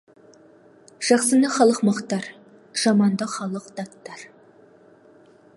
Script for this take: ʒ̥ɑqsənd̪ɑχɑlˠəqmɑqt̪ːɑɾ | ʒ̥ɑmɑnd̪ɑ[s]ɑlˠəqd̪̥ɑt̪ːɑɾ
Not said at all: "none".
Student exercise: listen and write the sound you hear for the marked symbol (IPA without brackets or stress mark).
χ